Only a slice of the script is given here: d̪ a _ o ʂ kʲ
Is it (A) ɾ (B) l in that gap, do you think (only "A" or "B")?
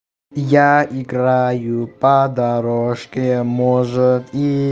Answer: A